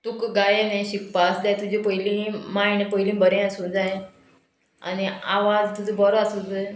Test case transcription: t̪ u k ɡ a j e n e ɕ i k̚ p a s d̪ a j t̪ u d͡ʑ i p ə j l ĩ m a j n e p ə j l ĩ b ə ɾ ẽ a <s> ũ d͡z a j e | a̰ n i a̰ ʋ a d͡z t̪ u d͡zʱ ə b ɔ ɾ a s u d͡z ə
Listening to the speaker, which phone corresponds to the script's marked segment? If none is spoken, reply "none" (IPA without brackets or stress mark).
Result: s